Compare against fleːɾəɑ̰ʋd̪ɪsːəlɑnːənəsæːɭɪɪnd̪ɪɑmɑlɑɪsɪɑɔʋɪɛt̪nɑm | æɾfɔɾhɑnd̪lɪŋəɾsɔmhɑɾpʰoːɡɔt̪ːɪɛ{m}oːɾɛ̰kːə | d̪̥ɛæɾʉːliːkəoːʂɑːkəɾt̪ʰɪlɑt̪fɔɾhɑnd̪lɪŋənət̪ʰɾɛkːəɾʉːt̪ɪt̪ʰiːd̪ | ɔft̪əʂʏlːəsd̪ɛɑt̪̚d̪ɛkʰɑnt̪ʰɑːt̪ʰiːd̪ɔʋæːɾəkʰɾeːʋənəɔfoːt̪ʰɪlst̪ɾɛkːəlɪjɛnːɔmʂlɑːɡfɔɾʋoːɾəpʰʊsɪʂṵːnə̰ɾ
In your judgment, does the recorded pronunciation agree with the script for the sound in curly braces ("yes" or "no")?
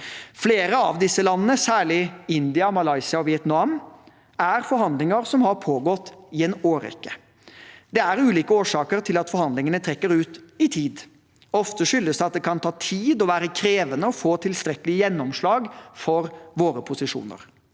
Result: no